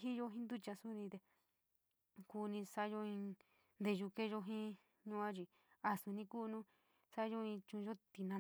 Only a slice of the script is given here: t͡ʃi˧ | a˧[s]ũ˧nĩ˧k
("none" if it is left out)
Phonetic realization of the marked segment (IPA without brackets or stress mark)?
s